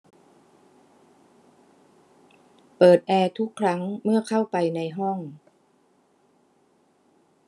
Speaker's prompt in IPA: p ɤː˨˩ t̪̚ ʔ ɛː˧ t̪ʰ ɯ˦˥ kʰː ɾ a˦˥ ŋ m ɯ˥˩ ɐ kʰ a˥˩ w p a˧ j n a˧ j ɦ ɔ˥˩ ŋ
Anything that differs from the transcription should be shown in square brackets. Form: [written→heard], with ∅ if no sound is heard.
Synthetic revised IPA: p ɤː˨˩ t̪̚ ʔ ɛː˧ t̪ʰ [ɯ˦˥→u˦˥] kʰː ɾ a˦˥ ŋ m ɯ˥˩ ɐ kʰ a˥˩ w p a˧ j n a˧ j ɦ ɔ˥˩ ŋ